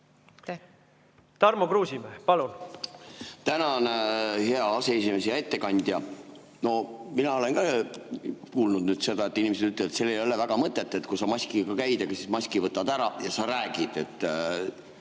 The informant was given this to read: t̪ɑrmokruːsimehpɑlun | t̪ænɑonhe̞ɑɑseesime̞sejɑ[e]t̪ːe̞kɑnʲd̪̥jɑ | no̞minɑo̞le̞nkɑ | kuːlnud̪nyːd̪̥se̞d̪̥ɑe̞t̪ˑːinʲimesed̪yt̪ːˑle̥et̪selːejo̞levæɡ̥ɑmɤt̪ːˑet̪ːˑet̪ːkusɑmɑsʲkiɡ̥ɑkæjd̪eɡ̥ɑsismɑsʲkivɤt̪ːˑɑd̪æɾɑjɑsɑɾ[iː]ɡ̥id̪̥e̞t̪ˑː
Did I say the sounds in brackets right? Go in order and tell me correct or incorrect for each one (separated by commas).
correct, incorrect